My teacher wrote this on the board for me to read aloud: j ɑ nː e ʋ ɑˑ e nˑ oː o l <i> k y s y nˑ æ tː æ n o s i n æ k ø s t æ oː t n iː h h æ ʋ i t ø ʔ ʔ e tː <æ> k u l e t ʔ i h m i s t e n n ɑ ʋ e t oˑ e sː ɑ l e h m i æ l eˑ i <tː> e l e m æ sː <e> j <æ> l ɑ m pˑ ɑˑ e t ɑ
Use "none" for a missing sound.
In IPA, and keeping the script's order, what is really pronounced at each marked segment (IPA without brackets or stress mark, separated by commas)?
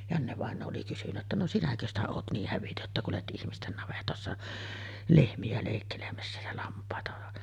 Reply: i, æ, kː, æ, æ